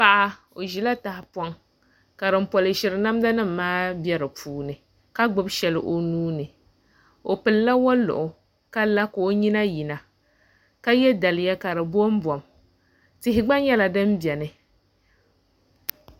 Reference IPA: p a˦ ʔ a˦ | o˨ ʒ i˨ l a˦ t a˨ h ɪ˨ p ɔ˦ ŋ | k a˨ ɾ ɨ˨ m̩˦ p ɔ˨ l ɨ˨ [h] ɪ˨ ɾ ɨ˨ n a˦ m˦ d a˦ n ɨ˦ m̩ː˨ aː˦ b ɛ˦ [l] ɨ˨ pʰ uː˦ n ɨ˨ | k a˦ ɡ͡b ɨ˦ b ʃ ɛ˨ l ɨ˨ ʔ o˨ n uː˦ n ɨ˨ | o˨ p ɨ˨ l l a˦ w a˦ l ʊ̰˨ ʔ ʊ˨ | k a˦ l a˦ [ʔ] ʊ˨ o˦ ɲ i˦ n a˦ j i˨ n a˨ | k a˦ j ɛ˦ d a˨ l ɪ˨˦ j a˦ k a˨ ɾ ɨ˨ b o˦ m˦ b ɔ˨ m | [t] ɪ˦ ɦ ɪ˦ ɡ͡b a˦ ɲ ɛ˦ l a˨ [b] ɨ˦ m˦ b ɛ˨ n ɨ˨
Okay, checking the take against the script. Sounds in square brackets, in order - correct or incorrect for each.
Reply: incorrect: ʃ, incorrect: ɾ, incorrect: k, correct, incorrect: d

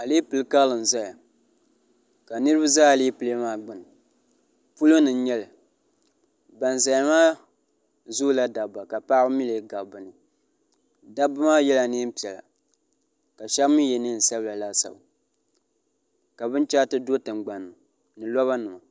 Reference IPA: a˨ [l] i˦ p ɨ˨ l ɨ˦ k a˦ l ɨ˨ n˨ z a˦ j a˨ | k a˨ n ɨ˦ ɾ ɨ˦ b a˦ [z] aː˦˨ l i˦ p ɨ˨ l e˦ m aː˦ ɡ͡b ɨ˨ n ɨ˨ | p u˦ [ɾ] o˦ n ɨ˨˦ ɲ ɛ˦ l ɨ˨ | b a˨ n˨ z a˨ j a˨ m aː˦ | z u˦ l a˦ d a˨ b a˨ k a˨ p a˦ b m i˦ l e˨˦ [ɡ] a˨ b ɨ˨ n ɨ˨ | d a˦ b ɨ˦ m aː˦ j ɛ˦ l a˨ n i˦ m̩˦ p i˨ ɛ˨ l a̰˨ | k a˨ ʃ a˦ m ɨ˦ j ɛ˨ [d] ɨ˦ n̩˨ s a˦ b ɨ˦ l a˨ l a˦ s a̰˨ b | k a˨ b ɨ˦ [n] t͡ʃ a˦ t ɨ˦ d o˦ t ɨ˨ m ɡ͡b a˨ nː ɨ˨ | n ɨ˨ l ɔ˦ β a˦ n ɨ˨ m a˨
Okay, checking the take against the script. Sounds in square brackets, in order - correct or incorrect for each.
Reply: correct, correct, incorrect: l, correct, incorrect: n, correct

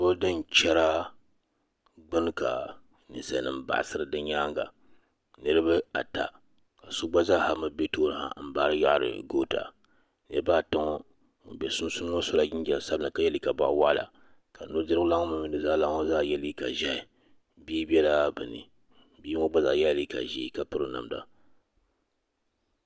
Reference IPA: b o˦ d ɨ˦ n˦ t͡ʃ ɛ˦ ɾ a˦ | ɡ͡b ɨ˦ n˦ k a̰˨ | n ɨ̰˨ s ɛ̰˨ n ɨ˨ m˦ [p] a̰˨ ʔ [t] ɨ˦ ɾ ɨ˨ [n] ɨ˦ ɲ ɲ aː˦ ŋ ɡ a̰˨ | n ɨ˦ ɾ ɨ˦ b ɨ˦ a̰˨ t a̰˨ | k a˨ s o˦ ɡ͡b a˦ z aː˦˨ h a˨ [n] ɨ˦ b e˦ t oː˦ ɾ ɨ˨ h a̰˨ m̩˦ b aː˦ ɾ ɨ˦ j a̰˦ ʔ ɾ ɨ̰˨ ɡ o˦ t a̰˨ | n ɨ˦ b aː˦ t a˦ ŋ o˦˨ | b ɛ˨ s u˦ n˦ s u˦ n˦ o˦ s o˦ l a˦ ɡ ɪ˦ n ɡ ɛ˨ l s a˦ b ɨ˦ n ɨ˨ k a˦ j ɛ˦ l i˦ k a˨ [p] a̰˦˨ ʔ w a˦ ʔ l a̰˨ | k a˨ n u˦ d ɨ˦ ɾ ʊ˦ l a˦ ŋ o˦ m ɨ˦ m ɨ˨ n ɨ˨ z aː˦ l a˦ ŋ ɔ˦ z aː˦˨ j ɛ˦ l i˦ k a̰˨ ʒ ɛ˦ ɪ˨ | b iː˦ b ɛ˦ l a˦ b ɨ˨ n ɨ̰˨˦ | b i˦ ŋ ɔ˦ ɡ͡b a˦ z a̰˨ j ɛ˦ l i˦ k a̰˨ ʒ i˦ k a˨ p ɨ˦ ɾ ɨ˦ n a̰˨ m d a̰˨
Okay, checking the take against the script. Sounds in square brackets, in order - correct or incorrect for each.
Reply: incorrect: b, incorrect: s, incorrect: d, incorrect: m, incorrect: b

